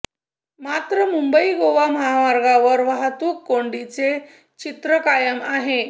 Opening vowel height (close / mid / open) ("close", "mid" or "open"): open